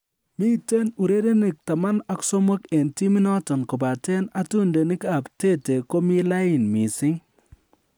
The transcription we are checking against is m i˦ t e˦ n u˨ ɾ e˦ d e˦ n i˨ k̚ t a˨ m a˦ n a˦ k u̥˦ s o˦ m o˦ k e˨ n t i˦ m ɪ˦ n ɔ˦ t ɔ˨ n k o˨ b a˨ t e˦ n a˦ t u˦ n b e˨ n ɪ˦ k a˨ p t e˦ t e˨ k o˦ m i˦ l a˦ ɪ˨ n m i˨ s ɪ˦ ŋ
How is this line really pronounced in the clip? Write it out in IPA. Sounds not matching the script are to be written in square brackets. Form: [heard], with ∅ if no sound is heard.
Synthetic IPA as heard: m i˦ t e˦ n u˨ ɾ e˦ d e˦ n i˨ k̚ t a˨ m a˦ n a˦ k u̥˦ s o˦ m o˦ k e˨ n t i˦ m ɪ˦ n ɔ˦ t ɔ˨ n k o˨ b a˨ t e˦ n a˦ t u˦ n [d] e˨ n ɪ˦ k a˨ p t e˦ t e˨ k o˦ m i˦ l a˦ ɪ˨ n m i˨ s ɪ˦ ŋ